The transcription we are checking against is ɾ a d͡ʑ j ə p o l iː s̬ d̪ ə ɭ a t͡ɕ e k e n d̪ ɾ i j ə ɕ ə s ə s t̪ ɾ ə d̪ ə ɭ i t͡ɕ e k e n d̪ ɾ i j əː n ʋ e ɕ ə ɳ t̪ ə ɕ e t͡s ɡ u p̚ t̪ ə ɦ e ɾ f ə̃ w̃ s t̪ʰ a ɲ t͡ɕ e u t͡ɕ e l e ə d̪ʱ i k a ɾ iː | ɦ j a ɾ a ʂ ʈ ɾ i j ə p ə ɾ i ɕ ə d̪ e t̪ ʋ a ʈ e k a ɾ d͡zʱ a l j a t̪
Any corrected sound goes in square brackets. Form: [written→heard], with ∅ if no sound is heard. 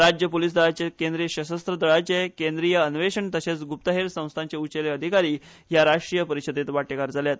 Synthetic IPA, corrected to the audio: ɾ a d͡ʑ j ə p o l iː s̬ d̪ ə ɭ a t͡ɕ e k e n d̪ ɾ i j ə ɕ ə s ə s t̪ ɾ ə d̪ ə ɭ [i→a] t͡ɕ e k e n d̪ ɾ i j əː n ʋ e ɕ ə ɳ t̪ ə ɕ e t͡s ɡ u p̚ t̪ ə ɦ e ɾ [f→s] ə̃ w̃ s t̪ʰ a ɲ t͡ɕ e u t͡ɕ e l e ə d̪ʱ i k a ɾ iː | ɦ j a ɾ a ʂ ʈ ɾ i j ə p ə ɾ i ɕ ə d̪ e t̪ ʋ a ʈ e k a ɾ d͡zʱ a l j a t̪